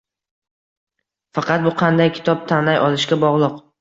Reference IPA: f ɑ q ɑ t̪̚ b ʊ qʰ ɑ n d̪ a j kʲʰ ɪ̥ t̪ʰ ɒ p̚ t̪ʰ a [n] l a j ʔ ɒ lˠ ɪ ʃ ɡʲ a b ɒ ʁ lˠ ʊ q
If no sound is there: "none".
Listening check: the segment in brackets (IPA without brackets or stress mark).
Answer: n